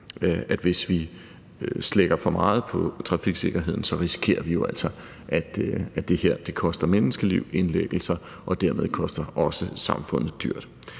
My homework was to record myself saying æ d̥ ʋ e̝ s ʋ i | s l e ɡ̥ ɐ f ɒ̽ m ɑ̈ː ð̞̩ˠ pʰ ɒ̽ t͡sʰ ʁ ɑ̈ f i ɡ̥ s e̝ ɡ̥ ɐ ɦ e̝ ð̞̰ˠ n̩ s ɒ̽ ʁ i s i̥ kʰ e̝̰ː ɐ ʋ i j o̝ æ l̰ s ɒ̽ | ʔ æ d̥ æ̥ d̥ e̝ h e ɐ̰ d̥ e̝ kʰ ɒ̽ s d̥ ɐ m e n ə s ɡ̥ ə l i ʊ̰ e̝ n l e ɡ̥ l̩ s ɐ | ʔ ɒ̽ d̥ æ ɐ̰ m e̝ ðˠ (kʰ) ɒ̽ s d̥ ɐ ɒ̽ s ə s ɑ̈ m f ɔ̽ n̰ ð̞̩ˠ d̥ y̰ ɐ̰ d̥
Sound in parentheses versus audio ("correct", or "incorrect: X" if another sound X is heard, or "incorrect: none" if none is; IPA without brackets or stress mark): correct